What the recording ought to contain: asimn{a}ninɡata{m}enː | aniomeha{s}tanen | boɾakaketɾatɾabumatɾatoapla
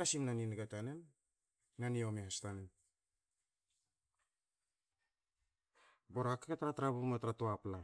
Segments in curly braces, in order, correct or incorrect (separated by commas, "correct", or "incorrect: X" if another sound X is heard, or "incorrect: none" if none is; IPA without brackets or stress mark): correct, incorrect: n, correct